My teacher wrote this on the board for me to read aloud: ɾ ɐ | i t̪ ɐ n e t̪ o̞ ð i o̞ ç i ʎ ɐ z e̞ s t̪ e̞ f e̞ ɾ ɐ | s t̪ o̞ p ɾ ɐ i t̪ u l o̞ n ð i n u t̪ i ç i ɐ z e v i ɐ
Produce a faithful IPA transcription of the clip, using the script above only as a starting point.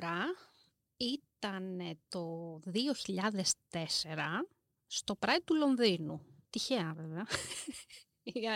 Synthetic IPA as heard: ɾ ɐ | i t̪ ɐ n e t̪ o̞ ð i o̞ ç i ʎ ɐ ð e̞ s t̪ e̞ s e̞ ɾ ɐ | s t̪ o̞ p ɾ ɐ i t̪ u l o̞ n ð i n u t̪ i ç e ɐ v e v e ɐ